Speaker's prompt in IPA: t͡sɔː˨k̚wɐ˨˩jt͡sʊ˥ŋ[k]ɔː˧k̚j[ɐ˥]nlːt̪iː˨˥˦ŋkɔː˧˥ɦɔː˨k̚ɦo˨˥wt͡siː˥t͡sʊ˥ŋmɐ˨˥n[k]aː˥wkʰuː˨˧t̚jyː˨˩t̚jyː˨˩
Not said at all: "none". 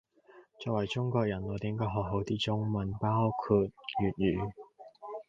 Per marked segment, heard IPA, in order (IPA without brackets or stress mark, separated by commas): k, ɐ˨˩, p